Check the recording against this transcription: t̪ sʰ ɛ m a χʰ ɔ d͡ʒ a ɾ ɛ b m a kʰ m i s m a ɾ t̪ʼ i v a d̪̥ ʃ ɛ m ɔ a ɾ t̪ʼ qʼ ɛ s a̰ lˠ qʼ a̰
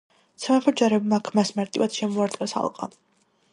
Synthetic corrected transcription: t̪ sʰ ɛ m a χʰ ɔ d͡ʒ a ɾ ɛ b m a kʰ m a s m a ɾ t̪ʼ i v a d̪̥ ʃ ɛ m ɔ a ɾ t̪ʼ qʼ ɛ s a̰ lˠ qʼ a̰